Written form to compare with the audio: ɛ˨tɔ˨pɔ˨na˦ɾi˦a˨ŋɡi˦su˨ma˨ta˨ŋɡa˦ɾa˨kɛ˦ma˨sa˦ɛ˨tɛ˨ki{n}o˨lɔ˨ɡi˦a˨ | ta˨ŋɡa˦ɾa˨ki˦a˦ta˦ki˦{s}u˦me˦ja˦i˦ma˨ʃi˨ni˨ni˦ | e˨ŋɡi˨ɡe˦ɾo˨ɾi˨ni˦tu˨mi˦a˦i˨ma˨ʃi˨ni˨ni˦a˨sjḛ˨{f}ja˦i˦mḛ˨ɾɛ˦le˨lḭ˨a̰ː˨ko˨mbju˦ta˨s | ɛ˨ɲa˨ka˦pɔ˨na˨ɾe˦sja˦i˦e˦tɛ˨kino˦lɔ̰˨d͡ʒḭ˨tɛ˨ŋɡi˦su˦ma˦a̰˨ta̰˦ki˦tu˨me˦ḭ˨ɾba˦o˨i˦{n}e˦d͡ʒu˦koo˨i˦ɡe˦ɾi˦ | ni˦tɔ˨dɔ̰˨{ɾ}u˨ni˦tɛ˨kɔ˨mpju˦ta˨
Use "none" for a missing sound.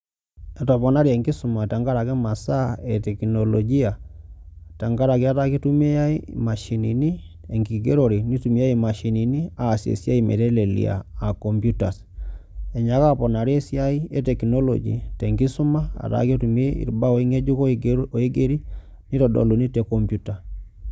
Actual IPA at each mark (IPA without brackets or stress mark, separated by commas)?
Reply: n, t, s, ŋ, l